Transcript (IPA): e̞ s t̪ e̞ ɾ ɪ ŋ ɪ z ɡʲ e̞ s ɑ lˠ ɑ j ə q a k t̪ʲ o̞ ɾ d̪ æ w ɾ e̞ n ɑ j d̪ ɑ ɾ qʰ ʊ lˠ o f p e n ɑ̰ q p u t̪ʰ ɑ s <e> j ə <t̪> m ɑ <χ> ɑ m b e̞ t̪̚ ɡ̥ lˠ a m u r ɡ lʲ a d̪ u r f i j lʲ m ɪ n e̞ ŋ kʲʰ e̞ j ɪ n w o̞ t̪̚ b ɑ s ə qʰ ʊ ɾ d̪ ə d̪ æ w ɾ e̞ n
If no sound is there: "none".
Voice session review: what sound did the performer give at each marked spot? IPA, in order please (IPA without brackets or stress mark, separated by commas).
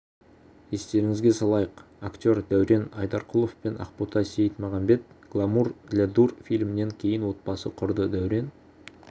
e, t̪, ʁ